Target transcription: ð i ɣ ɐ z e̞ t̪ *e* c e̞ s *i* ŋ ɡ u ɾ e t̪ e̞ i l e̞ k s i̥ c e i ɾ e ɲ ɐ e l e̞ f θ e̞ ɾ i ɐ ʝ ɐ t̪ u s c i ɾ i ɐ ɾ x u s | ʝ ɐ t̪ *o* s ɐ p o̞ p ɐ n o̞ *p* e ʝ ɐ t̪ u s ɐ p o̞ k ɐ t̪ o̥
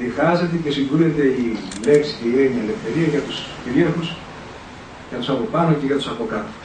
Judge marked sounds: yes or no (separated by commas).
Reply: yes, yes, no, no